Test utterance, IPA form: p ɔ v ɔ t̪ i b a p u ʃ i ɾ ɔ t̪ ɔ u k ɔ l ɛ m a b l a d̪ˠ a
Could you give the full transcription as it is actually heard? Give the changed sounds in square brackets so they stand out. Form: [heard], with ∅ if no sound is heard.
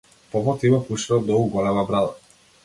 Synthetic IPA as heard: p ɔ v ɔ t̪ i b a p u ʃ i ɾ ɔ [d̪] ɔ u [ɡ] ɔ l ɛ m a b [ɾ] a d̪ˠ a